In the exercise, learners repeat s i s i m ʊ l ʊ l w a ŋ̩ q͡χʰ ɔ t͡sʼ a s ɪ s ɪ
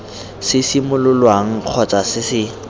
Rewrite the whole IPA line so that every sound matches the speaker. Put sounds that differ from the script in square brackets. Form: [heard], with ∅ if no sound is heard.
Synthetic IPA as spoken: s [ɪ] s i m ʊ l ʊ l w a ŋ̩ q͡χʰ ɔ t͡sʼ a s ɪ s ɪ